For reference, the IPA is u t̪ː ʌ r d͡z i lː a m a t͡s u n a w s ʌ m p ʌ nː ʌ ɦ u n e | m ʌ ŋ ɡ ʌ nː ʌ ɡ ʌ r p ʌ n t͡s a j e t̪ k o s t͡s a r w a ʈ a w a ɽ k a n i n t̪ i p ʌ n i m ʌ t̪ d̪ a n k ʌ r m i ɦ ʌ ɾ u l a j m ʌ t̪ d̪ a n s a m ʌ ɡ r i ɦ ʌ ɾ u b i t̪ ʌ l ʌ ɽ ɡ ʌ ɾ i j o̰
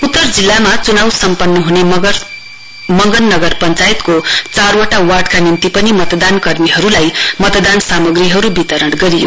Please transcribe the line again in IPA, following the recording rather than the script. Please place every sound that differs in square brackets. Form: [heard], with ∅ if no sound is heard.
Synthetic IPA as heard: u t̪ː ʌ r d͡z i lː a m a t͡s u n a w s ʌ m p ʌ nː ʌ ɦ u n e | m ʌ ŋ ɡ ʌ nː ʌ ɡ ʌ r p ʌ n t͡s a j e t̪ k o [∅] t͡s a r w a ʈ a w a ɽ k a n i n t̪ i p ʌ n i m ʌ t̪ d̪ a n k ʌ r m i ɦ ʌ ɾ u l a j m ʌ t̪ d̪ a n s a m ʌ ɡ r i ɦ ʌ ɾ u b i t̪ ʌ [ɾ] ʌ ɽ ɡ ʌ ɾ i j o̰